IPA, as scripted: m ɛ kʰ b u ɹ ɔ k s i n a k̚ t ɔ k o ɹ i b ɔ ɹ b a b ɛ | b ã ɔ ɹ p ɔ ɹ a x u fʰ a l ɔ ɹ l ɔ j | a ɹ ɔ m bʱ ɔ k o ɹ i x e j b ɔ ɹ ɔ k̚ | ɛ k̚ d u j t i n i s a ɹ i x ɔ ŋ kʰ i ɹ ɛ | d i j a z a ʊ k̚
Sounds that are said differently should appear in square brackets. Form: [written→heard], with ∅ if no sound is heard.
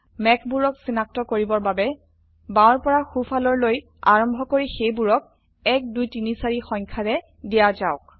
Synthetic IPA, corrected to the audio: m ɛ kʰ b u ɹ ɔ k s i n a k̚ t ɔ k o ɹ i b ɔ ɹ b a b ɛ | b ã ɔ ɹ p ɔ ɹ a x u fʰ a l ɔ ɹ l [ɔ→o] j | a ɹ ɔ m bʱ ɔ k o ɹ i x e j b [ɔ→u] ɹ ɔ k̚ | ɛ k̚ d u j t i n i s a ɹ i x ɔ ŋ kʰ [i→a] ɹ ɛ | d i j a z a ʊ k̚